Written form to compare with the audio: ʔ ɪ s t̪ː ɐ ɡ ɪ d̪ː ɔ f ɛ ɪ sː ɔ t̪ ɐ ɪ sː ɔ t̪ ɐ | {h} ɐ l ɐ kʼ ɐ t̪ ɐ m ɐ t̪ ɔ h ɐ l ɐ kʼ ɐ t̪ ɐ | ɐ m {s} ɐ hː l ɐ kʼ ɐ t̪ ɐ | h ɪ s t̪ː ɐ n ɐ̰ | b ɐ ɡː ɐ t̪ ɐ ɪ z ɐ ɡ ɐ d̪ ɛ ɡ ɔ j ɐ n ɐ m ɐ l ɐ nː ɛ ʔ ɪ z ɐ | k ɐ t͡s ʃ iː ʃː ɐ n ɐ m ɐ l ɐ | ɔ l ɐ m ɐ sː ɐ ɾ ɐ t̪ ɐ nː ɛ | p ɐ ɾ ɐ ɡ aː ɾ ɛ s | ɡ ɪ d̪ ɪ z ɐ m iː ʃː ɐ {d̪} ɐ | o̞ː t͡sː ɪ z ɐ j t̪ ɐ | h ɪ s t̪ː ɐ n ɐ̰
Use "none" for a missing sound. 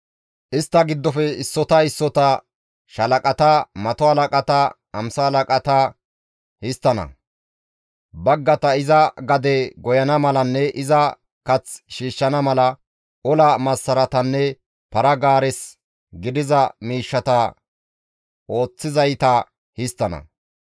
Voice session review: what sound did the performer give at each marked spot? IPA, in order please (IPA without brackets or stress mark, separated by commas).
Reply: ʃ, s, t̪